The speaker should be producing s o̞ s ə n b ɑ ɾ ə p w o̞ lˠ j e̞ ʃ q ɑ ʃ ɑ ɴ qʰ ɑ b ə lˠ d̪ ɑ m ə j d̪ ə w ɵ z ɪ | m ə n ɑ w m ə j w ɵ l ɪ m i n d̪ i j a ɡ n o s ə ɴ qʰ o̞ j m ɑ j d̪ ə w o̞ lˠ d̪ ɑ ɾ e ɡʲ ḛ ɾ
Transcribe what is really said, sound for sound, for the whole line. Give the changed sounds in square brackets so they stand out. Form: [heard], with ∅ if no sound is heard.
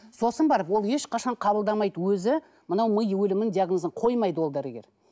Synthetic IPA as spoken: s o̞ s ə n b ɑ ɾ ə p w o̞ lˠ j e̞ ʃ q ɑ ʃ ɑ ɴ qʰ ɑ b ə lˠ d̪ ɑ m [ɑ] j d̪ ə w ɵ z ɪ | m ə n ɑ w m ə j w ɵ l ɪ m [ɪ] n d̪ i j a ɡ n o [z] ə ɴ qʰ o̞ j m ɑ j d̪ ə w o̞ lˠ d̪ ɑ ɾ e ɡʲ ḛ ɾ